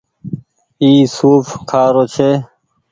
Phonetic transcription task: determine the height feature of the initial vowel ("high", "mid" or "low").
high